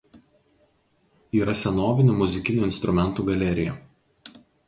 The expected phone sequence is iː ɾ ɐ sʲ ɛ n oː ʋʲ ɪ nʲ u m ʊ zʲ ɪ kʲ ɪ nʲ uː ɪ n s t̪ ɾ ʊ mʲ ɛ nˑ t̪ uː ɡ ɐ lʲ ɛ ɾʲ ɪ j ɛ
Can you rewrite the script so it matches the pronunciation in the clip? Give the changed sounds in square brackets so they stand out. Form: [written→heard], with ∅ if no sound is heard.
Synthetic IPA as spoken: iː ɾ ɐ sʲ ɛ n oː ʋʲ ɪ nʲ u m ʊ zʲ ɪ kʲ ɪ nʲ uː ɪ n s t̪ ɾ ʊ mʲ ɛ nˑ t̪ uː ɡ ɐ lʲ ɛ ɾʲ ɪ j ɛ